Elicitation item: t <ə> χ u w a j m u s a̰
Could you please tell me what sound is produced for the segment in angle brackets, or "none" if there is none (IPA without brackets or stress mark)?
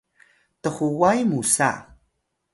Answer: ə